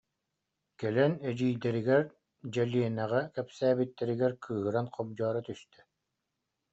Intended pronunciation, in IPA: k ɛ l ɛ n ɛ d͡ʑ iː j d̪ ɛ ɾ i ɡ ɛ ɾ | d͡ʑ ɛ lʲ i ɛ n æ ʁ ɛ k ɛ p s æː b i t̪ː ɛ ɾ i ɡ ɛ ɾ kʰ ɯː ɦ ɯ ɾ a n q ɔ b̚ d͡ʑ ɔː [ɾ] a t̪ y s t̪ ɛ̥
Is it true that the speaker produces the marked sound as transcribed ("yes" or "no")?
yes